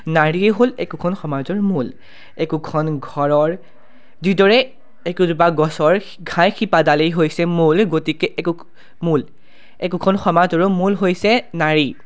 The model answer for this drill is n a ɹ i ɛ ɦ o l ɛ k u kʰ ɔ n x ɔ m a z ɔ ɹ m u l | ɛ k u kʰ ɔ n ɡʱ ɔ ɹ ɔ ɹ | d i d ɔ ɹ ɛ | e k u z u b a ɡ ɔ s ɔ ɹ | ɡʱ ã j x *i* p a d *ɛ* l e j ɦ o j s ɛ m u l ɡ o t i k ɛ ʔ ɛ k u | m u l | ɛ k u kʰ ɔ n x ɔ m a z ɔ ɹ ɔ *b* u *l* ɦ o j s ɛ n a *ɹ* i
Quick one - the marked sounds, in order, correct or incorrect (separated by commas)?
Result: correct, incorrect, incorrect, correct, correct